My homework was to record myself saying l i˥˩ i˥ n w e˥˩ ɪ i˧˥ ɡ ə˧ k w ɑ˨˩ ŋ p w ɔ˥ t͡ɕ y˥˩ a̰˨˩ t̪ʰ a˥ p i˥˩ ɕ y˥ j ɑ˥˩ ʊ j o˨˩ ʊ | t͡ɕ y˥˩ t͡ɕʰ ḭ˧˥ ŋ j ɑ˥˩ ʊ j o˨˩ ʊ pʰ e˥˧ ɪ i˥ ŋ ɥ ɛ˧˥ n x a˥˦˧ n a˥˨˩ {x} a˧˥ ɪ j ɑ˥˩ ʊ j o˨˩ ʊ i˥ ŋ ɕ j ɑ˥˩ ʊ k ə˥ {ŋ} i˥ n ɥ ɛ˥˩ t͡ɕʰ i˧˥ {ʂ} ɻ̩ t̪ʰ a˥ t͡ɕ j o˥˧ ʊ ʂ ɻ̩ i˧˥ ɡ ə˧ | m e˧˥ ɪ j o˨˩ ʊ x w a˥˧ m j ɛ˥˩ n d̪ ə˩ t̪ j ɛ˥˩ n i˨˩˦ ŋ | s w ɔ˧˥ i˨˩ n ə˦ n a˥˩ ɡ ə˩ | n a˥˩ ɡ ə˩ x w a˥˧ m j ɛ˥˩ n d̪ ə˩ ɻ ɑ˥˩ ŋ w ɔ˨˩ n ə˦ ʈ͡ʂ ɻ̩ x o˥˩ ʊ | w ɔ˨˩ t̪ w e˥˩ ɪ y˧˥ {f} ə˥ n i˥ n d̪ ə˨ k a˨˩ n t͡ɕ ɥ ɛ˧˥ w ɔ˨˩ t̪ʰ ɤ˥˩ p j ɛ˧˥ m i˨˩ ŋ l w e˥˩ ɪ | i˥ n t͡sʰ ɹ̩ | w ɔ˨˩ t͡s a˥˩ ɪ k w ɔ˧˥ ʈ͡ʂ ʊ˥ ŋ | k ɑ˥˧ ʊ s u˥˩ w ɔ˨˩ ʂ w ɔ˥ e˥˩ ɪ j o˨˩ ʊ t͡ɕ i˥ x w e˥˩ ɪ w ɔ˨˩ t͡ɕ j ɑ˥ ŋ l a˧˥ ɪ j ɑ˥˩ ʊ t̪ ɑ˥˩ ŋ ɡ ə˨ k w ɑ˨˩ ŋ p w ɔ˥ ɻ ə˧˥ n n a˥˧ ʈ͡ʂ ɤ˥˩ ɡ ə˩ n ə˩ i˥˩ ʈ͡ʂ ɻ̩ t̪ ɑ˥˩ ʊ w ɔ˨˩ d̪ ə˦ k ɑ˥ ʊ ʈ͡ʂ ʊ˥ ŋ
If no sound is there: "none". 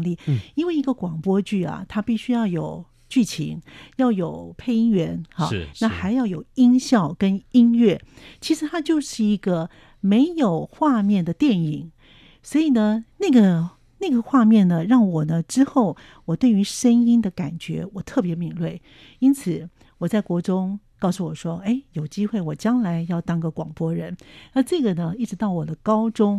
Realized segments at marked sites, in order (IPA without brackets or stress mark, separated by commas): x, n, ʂ, ʂ